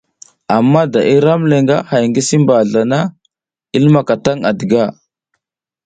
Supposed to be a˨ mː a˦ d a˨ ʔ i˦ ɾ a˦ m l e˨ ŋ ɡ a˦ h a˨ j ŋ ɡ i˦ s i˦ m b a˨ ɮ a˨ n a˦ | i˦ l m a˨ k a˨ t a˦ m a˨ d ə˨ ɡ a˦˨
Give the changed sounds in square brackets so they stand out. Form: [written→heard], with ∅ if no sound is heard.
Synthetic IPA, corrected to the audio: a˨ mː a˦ d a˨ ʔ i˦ ɾ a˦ m l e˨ ŋ ɡ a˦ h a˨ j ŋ ɡ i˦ s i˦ m b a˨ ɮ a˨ n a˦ | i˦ l m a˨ k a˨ t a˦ [m→ŋ] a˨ d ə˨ ɡ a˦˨